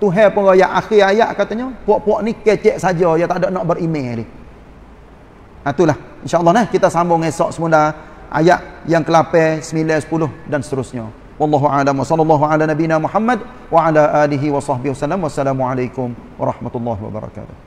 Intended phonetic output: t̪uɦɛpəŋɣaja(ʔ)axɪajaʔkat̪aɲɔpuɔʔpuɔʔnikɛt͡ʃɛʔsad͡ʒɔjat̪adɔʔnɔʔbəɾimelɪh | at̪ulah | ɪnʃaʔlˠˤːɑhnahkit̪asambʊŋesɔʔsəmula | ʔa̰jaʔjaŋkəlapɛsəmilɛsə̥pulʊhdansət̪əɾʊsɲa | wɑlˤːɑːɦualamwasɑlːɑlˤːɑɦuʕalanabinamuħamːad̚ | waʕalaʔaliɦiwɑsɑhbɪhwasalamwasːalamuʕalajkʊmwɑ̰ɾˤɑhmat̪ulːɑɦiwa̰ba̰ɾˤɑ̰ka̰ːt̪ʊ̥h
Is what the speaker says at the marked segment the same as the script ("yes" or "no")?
yes